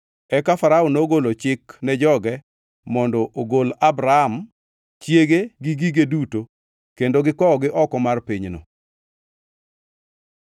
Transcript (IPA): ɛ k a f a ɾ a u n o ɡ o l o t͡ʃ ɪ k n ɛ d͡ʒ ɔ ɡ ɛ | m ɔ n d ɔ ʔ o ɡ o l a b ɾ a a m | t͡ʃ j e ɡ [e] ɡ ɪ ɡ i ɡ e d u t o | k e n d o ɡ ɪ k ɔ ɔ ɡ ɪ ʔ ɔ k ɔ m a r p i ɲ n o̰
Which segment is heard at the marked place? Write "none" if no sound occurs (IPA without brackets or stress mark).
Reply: e